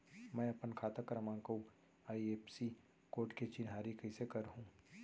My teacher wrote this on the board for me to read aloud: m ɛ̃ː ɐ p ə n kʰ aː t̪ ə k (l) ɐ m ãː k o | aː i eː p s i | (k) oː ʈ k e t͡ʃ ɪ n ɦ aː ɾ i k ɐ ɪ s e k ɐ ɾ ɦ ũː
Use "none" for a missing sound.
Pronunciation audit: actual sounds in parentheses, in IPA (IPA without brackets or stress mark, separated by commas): ɾ, k